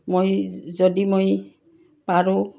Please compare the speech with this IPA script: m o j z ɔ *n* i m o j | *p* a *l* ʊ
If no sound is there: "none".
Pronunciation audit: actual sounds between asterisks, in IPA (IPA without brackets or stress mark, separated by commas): d, p, ɹ